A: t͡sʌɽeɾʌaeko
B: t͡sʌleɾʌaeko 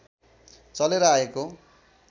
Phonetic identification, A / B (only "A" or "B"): B